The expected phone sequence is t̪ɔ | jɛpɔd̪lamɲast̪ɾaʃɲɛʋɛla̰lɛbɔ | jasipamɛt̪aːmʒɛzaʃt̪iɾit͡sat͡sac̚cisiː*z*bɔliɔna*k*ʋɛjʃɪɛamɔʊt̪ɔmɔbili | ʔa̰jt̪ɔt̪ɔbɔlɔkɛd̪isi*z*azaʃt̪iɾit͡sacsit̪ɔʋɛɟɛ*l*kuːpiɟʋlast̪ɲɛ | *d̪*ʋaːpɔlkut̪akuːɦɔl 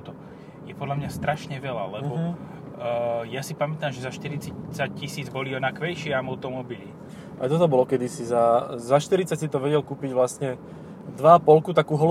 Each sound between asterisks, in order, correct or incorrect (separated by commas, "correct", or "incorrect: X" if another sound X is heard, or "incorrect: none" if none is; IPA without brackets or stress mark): incorrect: d͡z, correct, correct, correct, correct